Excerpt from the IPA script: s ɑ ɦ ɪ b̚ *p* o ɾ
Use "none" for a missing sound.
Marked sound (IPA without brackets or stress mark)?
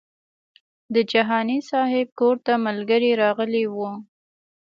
k